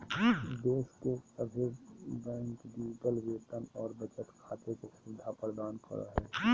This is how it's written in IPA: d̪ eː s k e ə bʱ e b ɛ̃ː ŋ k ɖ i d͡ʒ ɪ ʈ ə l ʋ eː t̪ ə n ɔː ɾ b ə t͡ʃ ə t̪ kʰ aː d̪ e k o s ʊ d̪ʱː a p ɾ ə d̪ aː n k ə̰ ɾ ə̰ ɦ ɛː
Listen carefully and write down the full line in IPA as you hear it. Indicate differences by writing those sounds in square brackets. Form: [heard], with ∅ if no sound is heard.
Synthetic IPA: d̪ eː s k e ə bʱ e b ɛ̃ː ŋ k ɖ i d͡ʒ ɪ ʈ ə l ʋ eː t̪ ə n ɔː ɾ b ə t͡ʃ ə t̪ kʰ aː [t̪] e k o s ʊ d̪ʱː a p ɾ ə d̪ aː n k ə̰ ɾ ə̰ ɦ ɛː